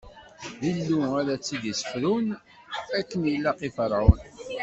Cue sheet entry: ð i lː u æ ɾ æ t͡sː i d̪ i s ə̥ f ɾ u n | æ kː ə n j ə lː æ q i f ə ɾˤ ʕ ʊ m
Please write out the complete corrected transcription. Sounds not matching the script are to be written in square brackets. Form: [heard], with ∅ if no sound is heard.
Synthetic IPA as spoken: ð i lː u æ ɾ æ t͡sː i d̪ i s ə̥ f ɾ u n | æ kː ə n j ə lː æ q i f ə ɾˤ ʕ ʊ [n]